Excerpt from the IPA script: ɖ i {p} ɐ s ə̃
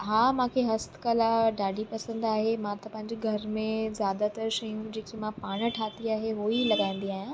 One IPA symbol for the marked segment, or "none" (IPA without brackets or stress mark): p